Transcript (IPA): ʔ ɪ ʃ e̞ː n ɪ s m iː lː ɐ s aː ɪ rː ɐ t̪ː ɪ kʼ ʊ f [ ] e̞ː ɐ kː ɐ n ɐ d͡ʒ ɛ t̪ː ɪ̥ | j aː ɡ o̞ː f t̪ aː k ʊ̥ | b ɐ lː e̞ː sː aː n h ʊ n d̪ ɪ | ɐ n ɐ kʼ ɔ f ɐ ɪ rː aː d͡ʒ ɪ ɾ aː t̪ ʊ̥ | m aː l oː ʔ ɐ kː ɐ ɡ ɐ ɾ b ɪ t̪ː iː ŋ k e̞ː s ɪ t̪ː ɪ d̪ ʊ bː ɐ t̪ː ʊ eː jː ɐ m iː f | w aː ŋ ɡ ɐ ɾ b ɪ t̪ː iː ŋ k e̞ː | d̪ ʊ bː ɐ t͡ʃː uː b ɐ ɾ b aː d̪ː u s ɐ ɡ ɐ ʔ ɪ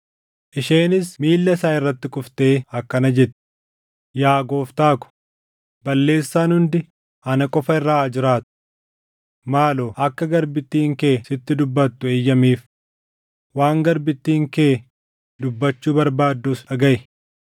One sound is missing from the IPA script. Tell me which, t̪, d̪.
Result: t̪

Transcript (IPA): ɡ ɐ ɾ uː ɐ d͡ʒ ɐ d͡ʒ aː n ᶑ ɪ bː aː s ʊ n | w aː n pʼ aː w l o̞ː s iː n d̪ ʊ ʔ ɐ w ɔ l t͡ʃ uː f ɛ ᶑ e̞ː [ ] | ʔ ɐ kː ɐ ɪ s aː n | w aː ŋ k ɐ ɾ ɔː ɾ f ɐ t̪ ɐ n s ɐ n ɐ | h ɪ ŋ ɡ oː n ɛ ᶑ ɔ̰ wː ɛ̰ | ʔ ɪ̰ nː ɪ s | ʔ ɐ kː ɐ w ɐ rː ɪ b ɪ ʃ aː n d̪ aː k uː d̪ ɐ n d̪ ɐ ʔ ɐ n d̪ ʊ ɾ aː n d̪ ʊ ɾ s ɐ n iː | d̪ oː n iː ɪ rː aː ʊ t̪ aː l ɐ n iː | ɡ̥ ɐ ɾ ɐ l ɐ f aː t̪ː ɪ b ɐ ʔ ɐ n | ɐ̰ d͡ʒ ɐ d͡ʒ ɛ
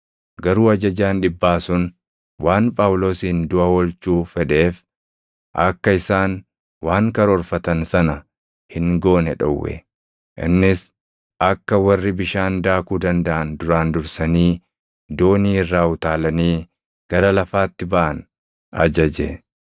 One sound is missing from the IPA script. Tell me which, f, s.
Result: f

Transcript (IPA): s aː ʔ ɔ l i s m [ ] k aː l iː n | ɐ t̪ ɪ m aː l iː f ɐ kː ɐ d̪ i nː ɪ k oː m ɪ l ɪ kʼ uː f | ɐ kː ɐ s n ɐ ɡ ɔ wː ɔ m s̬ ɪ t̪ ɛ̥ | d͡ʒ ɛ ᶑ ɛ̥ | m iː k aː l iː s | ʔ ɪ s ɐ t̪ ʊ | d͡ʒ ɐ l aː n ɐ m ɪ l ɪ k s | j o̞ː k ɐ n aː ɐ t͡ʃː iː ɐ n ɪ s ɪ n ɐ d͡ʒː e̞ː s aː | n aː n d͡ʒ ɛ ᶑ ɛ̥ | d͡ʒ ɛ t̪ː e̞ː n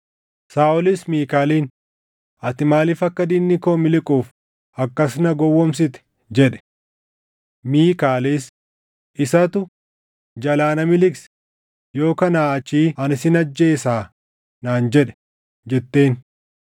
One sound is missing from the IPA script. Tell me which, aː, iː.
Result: iː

